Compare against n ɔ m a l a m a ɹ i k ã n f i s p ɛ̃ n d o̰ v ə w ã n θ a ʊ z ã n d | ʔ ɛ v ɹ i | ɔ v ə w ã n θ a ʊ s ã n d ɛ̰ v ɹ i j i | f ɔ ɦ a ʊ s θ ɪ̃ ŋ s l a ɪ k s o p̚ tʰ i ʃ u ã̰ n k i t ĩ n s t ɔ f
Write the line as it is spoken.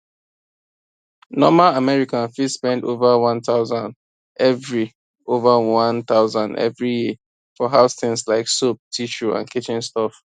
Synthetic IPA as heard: n ɔ m a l a m ɛ ɹ i k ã n f i s p ɛ̃ n d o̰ v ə w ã n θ a ʊ z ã n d | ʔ ɛ v ɹ i | o v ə w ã n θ a ʊ z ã n d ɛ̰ v ɹ i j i | f ɔ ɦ a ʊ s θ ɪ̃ ŋ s l a ɪ k s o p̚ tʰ i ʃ u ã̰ n k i t͡ʃ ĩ n s t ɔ f